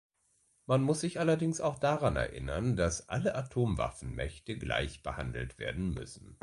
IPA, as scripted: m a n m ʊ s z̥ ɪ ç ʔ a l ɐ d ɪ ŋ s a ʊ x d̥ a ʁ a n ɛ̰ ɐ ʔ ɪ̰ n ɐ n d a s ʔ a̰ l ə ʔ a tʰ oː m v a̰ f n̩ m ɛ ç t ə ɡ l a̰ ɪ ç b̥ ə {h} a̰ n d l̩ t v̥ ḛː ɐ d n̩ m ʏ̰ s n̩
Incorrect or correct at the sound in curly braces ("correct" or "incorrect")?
correct